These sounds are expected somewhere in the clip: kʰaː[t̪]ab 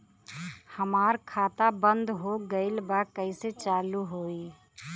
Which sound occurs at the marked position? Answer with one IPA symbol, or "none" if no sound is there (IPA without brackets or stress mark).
t̪